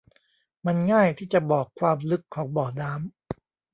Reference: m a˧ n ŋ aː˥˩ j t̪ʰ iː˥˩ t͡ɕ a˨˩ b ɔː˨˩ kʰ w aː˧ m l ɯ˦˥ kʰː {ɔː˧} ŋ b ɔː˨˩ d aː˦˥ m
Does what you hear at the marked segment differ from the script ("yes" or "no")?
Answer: yes